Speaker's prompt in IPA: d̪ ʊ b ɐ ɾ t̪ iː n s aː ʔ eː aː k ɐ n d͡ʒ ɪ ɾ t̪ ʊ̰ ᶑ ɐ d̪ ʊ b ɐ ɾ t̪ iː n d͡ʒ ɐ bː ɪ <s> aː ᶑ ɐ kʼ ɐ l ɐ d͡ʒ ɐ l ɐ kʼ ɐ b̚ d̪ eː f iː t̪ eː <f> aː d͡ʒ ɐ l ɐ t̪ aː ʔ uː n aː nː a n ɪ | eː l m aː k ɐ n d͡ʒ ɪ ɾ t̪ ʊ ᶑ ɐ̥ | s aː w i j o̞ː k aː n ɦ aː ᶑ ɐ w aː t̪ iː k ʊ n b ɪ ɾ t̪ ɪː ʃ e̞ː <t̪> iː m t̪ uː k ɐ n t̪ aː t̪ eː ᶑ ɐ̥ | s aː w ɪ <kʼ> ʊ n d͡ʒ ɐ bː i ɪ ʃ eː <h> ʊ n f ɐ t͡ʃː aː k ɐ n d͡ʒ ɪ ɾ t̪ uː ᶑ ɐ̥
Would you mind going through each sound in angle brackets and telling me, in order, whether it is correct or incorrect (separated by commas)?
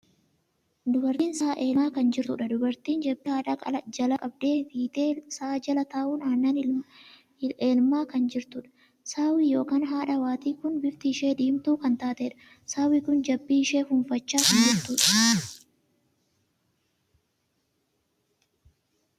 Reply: incorrect, incorrect, incorrect, incorrect, incorrect